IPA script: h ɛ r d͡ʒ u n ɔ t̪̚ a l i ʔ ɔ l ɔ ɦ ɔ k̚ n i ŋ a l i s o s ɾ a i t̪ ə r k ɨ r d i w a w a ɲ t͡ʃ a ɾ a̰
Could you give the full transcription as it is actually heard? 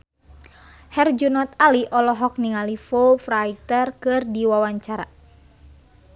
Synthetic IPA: h ɛ r d͡ʒ u n ɔ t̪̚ a l i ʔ ɔ l ɔ ɦ ɔ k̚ n i ŋ a l i f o f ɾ a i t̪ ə r k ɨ r d i w a w a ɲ t͡ʃ a ɾ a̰

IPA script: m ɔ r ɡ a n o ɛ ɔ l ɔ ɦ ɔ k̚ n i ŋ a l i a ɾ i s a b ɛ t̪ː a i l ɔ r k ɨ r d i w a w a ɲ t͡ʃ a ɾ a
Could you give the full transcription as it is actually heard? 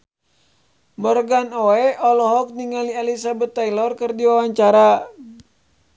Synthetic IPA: m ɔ r ɡ a n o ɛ ɔ l ɔ ɦ ɔ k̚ n i ŋ a l i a l i s a b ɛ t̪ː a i l ɔ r k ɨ r d i w a w a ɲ t͡ʃ a ɾ a

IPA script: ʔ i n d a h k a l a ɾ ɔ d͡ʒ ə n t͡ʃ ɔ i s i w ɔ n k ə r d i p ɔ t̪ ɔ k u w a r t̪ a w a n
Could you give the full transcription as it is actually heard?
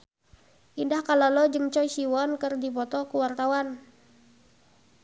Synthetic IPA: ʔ i n d a h k a l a l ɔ d͡ʒ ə ŋ t͡ʃ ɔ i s i w ɔ n k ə r d i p ɔ t̪ ɔ k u w a r t̪ a w a n

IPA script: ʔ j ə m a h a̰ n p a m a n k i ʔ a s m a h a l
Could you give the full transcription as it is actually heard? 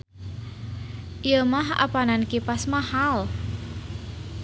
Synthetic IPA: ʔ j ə m a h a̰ p a n a n k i p a s m a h a l

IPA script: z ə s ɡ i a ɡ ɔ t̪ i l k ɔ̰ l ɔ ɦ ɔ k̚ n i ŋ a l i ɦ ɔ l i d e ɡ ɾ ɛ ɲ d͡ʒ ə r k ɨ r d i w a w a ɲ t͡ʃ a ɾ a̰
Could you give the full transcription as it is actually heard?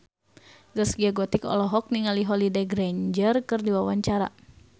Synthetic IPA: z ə s ɡ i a ɡ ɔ t̪ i k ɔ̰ l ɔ ɦ ɔ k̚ n i ŋ a l i ɦ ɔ l i d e ɡ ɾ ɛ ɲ d͡ʒ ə r k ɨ r d i w a w a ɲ t͡ʃ a ɾ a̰

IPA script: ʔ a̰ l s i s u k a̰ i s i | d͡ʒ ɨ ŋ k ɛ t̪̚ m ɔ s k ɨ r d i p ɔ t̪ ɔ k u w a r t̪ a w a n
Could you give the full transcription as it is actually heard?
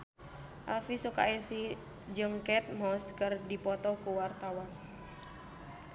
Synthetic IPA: ʔ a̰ l f i s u k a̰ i s i | d͡ʒ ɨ ŋ k ɛ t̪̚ m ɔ s k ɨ r d i p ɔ t̪ ɔ k u w a r t̪ a w a n

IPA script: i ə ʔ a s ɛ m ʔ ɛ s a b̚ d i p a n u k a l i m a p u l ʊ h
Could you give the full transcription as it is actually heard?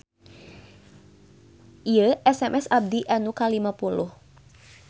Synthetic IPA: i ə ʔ ɛ s ɛ m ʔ ɛ s a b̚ d i ʔ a n u k a l i m a p u l ʊ h

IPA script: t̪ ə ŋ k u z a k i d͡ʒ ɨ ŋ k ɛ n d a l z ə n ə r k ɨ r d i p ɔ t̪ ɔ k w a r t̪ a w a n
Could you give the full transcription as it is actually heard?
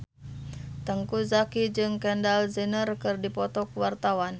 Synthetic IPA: t̪ ə ŋ k u z a k i d͡ʒ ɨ ŋ k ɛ n d a l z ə n ə r k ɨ r d i p ɔ t̪ ɔ k w a r t̪ a w a n

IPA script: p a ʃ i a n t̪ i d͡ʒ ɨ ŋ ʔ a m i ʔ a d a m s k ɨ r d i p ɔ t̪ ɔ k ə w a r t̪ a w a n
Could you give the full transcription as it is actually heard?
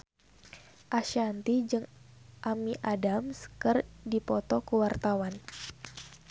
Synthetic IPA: ʔ a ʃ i a n t̪ i d͡ʒ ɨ ŋ ʔ a m i ʔ a d a m s k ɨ r d i p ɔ t̪ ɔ k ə w a r t̪ a w a n

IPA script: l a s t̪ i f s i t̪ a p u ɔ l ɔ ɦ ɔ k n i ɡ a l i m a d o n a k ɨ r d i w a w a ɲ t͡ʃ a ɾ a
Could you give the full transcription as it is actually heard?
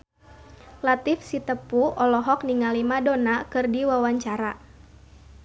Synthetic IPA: l a t̪ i f s i t̪ ə p u ɔ l ɔ ɦ ɔ k n i ŋ a l i m a d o n a k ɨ r d i w a w a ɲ t͡ʃ a ɾ a

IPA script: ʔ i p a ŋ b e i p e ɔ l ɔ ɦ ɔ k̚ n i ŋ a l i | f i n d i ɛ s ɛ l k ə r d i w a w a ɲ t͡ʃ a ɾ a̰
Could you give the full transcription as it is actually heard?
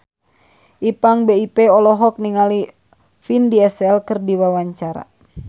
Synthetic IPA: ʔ i p a ŋ b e i p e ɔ l ɔ ɦ ɔ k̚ n i ŋ a l i | f i n d i ɛ s ɛ l k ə r d i w a w a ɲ t͡ʃ a ɾ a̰

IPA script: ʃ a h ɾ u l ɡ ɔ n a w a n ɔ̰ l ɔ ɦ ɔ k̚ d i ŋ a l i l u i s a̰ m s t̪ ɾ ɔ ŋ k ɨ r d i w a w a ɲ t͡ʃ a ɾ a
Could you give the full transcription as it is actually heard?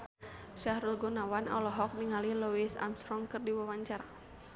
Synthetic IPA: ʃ a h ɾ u l ɡ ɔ n a w a n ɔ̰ l ɔ ɦ ɔ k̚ n i ŋ a l i l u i s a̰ m s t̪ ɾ ɔ ŋ k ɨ r d i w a w a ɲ t͡ʃ a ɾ a

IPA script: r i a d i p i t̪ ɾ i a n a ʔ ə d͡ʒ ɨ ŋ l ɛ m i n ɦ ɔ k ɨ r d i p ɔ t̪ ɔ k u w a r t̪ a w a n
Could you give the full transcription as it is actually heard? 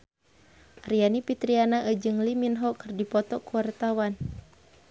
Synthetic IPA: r i a n i p i t̪ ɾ i a n a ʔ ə d͡ʒ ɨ ŋ l i m i n ɦ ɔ k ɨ r d i p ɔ t̪ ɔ k u w a r t̪ a w a n

